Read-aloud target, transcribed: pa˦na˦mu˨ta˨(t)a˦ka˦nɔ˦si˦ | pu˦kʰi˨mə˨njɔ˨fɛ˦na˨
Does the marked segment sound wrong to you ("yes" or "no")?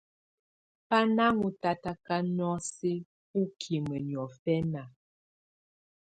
no